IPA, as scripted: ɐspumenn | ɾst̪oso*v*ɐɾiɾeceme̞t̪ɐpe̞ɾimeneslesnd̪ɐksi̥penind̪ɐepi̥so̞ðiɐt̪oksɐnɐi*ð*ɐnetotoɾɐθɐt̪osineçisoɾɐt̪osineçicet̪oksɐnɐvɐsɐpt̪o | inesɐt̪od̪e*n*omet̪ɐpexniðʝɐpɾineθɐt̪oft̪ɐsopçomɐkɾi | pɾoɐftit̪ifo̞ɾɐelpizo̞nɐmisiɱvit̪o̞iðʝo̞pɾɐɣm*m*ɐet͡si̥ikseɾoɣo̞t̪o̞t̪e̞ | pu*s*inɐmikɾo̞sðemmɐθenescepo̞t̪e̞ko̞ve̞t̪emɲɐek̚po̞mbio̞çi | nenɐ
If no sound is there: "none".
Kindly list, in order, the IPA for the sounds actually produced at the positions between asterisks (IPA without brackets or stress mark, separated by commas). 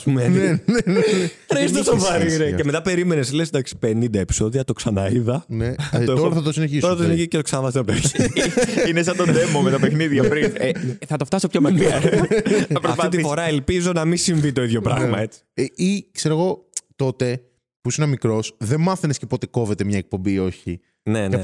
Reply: v, ð, m, m, s